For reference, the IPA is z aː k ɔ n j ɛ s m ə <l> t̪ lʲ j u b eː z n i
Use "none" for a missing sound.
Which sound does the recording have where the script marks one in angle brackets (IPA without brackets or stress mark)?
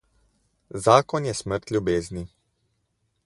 ɾ